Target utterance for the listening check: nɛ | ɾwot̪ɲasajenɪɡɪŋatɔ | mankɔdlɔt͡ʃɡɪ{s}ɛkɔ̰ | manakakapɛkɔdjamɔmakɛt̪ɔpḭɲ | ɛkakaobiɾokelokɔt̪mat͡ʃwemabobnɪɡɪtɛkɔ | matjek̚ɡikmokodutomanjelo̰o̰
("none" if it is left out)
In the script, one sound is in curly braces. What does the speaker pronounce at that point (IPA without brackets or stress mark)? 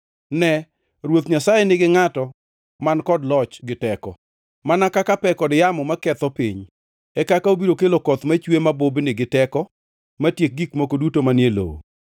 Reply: t